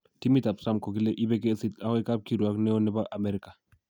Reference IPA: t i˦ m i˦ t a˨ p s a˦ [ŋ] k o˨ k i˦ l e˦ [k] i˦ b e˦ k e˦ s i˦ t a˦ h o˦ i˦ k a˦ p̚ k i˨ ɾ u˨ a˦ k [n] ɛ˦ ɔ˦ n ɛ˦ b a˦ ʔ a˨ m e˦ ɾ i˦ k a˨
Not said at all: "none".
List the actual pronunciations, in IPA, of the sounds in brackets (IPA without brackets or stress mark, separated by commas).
m, ʔ, n